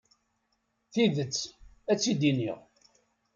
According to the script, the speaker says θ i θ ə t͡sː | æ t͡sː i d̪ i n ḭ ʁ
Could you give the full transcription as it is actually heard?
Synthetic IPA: θ i ð ə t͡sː | æ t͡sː i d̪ i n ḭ ʁ